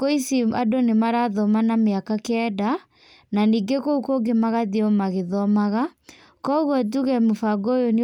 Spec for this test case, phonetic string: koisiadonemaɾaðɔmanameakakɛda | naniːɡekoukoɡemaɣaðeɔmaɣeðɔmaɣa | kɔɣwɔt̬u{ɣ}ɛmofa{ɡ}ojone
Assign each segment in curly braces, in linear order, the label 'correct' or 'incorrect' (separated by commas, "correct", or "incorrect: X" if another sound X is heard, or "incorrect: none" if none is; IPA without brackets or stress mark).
correct, correct